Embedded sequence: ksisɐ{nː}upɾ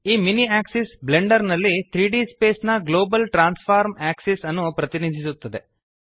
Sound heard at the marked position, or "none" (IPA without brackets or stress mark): nː